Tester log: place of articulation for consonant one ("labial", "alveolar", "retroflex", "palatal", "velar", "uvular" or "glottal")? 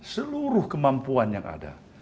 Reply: alveolar